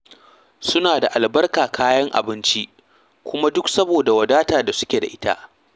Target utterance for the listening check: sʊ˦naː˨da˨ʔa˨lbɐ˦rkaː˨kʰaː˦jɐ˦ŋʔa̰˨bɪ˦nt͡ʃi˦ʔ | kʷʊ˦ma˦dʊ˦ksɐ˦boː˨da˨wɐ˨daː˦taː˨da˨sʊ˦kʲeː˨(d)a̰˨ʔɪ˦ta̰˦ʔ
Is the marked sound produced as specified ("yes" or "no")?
yes